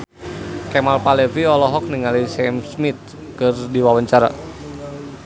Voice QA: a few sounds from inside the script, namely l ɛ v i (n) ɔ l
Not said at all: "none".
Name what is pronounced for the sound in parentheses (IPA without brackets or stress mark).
none